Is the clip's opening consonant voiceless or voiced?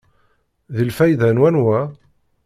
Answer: voiced